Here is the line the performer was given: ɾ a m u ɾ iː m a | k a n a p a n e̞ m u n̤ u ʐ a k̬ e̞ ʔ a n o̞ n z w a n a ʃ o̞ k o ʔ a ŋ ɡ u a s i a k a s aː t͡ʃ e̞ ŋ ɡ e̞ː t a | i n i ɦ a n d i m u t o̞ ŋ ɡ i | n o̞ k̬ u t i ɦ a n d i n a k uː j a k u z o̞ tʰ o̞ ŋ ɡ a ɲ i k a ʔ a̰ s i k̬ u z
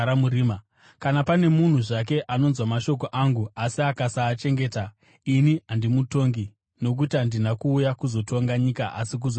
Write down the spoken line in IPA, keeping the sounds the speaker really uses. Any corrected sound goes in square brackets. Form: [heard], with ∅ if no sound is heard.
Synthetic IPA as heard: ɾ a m u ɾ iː m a | k a n a p a n e̞ m u n̤ u ʐ a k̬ e̞ ʔ a n o̞ n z w a [m] a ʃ o̞ k o ʔ a ŋ ɡ u a s i a k a s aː t͡ʃ e̞ ŋ ɡ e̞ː t a | i n i ɦ a n d i m u t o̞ ŋ ɡ i | n o̞ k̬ u t i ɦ a n d i n a k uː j a k u z o̞ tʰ o̞ ŋ ɡ a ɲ i k a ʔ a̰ s i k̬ u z